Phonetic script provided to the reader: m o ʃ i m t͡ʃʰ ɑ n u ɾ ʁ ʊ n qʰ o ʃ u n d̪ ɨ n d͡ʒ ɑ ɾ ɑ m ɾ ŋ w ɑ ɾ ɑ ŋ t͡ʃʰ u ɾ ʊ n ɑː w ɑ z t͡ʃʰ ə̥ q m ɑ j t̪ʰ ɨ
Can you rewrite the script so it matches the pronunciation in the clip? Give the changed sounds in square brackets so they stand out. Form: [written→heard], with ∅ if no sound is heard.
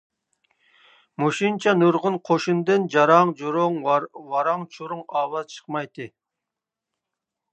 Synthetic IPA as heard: m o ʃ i [m→n] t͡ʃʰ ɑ n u ɾ ʁ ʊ n qʰ o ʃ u n d̪ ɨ n d͡ʒ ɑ ɾ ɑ [m→ŋ] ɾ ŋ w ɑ ɾ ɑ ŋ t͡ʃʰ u ɾ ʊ [n→ŋ] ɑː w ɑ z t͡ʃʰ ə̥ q m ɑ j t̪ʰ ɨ

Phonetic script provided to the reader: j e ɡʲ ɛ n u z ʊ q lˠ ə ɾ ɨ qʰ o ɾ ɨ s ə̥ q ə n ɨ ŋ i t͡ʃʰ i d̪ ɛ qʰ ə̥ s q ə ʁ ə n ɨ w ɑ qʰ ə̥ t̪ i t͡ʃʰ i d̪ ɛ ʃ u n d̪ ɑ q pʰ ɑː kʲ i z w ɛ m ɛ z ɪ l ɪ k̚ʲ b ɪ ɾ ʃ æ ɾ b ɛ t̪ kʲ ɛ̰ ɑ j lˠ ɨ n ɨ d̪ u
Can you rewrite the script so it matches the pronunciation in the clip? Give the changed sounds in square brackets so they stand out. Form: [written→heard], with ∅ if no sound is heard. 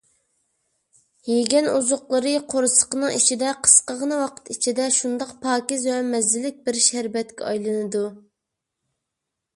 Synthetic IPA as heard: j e ɡʲ ɛ n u z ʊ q lˠ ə ɾ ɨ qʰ o ɾ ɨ s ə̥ q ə n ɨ ŋ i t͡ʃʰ i d̪ ɛ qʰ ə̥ s q ə ʁ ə n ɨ w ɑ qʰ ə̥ t̪ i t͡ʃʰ i d̪ ɛ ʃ u n d̪ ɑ q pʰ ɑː kʲ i z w ɛ m ɛ z ɪ l ɪ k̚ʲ b ɪ ɾ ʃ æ ɾ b ɛ t̪ kʲ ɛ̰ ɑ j lˠ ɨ n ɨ d̪ u

